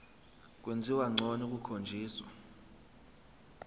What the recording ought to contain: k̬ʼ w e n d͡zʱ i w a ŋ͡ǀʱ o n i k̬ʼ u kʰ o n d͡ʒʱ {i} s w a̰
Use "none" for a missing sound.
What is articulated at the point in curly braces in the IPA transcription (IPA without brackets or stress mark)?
iː